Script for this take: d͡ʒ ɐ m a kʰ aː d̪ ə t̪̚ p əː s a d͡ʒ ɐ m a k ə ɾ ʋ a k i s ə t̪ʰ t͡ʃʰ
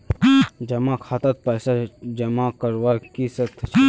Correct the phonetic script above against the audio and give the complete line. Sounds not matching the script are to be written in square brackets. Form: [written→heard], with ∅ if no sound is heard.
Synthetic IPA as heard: d͡ʒ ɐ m a kʰ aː [d̪→t̪] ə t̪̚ p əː s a d͡ʒ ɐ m a k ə ɾ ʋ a k i s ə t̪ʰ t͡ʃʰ